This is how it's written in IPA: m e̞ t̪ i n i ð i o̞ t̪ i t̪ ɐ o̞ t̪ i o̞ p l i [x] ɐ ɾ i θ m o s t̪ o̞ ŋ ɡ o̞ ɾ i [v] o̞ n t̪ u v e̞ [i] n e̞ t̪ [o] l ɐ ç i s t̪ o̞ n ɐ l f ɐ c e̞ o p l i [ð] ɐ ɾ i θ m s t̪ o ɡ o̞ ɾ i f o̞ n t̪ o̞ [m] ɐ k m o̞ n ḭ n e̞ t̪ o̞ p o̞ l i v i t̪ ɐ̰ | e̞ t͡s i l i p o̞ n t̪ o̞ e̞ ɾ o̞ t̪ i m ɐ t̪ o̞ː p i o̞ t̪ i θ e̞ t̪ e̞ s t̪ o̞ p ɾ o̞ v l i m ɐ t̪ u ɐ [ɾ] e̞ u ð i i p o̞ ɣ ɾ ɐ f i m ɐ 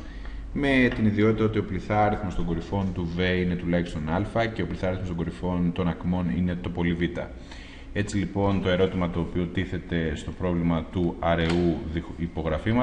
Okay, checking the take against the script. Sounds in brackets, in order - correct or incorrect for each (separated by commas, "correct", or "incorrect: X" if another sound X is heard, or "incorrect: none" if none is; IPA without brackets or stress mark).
incorrect: θ, incorrect: f, correct, incorrect: u, incorrect: θ, incorrect: n, correct